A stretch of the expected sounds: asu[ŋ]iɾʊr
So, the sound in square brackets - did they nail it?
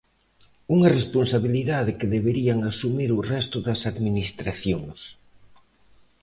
no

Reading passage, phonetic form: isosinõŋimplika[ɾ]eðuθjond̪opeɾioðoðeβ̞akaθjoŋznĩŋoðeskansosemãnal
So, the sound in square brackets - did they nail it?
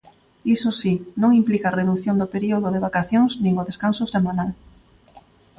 no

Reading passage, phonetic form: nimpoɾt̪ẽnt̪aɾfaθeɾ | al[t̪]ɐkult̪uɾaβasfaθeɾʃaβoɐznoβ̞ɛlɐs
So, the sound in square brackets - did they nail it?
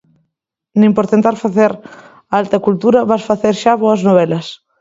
yes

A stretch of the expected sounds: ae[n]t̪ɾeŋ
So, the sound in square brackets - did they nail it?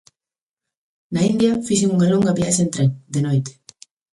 yes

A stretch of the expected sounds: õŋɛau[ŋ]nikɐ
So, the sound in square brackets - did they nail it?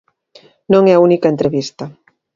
no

